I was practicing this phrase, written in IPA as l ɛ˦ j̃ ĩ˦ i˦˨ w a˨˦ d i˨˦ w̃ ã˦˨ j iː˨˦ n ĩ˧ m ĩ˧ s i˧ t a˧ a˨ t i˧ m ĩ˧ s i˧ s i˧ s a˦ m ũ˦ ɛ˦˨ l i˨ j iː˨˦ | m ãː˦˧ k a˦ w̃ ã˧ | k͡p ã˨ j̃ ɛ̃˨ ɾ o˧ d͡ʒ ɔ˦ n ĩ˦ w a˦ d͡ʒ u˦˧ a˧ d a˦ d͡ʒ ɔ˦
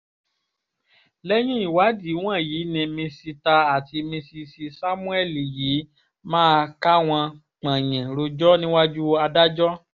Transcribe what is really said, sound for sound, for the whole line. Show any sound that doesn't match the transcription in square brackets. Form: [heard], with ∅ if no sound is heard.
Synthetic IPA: l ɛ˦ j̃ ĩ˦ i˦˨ w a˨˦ d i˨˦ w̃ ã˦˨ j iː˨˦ n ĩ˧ m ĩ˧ s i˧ t a˧ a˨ t i˧ m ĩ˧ s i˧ s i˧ s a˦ m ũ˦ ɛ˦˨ l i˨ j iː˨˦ | m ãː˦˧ k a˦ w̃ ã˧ | k͡p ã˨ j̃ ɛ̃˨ ɾ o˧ d͡ʒ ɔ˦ n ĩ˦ w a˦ d͡ʒ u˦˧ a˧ d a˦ d͡ʒ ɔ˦